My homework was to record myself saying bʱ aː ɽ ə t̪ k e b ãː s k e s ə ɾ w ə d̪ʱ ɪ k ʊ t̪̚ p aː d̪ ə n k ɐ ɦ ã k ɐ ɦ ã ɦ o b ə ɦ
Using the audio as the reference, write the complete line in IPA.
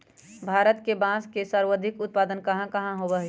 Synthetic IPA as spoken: bʱ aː ɾ ə t̪ k e b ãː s k e s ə ɾ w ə d̪ʱ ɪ k ʊ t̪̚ p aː d̪ ə n k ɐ ɦ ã k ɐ ɦ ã ɦ o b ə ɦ